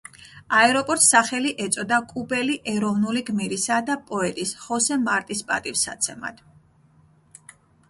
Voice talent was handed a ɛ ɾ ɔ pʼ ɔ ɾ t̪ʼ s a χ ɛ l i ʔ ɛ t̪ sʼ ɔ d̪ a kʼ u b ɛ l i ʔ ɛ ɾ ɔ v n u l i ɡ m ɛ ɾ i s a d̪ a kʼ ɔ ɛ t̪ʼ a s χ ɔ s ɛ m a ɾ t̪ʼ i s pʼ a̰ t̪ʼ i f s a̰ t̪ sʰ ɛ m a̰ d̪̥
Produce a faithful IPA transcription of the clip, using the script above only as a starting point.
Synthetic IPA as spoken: a ɛ ɾ ɔ pʼ ɔ ɾ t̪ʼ s a χ ɛ l i ʔ ɛ t̪ sʼ ɔ d̪ a kʼ u b ɛ l i ʔ ɛ ɾ ɔ v n u l i ɡ m i ɾ i s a d̪ a pʼ ɔ ɛ t̪ʼ i s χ ɔ s ɛ m a ɾ t̪ʼ i s pʼ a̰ t̪ʼ i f s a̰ t̪ sʰ ɛ m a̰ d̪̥